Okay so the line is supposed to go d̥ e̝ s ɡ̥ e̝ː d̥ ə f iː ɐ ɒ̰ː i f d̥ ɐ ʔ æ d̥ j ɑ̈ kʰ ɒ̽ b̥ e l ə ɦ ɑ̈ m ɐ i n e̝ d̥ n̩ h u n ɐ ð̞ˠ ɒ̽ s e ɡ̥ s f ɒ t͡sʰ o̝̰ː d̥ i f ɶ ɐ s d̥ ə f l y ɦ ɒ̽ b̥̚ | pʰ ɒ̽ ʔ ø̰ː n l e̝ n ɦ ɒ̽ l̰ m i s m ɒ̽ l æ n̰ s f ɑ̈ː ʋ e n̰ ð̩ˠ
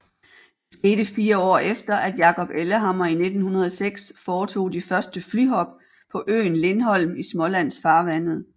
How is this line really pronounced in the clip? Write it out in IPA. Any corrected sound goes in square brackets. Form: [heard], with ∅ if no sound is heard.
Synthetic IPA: d̥ e̝ s ɡ̥ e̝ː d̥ ə f iː ɐ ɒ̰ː [e] f d̥ ɐ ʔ æ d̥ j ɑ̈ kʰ ɒ̽ b̥ e l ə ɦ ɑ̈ m ɐ i n e̝ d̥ n̩ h u n ɐ ð̞ˠ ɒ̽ s e ɡ̥ s f [ɒː] t͡sʰ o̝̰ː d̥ i f ɶ ɐ s d̥ ə f l y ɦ ɒ̽ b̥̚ | pʰ ɒ̽ ʔ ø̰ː n l e̝ n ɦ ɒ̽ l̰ m i s m ɒ̽ l æ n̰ s f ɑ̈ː ʋ [æ] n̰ ð̩ˠ